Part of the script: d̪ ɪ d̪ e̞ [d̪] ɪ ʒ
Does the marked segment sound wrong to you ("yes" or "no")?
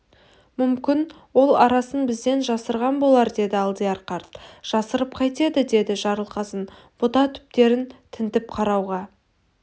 no